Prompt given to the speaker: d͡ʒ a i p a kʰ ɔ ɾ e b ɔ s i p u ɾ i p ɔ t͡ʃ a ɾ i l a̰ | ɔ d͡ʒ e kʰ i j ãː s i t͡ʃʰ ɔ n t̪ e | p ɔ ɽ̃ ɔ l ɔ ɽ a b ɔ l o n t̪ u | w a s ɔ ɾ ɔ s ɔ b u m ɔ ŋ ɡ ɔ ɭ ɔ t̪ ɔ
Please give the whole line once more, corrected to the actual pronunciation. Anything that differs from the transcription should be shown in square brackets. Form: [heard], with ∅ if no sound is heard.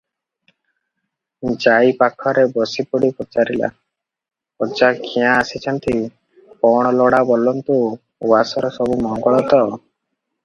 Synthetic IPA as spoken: d͡ʒ a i p a kʰ ɔ ɾ e b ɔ s i p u [ɽ] i p ɔ t͡ʃ a ɾ i l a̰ | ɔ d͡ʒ [a] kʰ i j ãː s i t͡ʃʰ ɔ n t̪ [i] | p ɔ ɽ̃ ɔ l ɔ ɽ a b ɔ l [ɔ] n t̪ u | w a s ɔ ɾ ɔ s ɔ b u m ɔ ŋ ɡ ɔ ɭ ɔ t̪ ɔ